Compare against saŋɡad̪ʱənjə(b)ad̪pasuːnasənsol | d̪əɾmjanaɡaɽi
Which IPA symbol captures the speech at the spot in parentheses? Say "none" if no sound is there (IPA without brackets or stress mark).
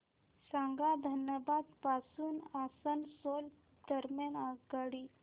b